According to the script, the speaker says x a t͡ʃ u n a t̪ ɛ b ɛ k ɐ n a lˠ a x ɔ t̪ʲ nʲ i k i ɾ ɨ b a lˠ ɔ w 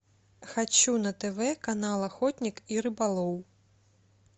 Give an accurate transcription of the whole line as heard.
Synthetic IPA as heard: x a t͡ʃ u n ɐ t̪ ɛ v ɛ k a n a lˠ a x ɔ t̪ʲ nʲ i k i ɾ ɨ b a lˠ ɔ w